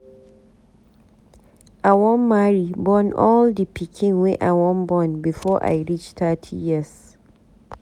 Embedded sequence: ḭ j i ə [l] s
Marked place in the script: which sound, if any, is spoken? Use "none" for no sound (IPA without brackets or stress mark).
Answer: none